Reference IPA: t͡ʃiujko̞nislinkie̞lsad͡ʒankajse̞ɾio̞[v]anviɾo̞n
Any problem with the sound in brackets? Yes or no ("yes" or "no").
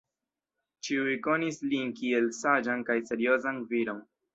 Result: yes